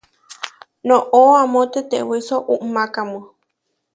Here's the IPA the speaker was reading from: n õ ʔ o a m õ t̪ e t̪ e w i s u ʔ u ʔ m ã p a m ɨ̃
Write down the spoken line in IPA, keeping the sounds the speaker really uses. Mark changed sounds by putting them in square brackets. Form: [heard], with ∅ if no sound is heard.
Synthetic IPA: n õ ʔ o a m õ t̪ e t̪ e w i s [o] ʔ u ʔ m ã [k] a m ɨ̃